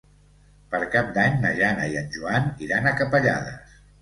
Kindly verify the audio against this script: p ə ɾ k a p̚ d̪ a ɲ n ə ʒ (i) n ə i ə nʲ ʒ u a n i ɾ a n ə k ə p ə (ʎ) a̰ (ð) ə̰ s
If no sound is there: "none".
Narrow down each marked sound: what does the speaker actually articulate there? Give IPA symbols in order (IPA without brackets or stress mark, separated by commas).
a, ʎ, ð